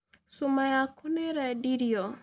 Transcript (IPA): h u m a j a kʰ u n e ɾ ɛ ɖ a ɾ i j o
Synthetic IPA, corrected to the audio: s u m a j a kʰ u n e ɾ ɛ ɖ i ɾ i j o